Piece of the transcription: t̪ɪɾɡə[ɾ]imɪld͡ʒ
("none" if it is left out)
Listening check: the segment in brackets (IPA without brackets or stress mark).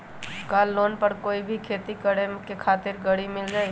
ɽ